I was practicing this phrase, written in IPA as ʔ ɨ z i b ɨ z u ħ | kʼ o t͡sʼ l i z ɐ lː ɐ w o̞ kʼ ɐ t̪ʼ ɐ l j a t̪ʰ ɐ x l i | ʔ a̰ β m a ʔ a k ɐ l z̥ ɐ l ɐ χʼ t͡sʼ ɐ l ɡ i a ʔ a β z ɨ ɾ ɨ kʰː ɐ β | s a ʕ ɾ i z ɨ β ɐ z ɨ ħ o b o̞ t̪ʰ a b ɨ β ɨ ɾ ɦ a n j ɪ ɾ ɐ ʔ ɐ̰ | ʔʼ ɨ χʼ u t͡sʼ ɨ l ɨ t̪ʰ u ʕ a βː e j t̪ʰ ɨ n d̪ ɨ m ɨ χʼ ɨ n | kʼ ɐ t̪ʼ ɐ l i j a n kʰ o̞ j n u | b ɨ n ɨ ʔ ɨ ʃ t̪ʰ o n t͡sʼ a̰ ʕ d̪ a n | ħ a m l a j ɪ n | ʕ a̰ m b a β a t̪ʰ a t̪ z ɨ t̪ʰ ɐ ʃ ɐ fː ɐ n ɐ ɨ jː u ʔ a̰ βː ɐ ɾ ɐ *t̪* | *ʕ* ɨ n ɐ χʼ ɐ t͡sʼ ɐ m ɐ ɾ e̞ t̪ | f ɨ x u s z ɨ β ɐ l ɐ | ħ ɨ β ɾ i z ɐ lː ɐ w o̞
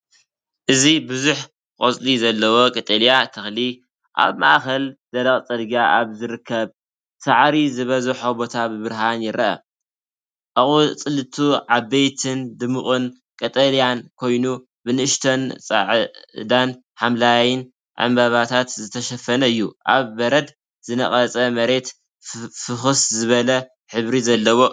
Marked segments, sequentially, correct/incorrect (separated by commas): incorrect, incorrect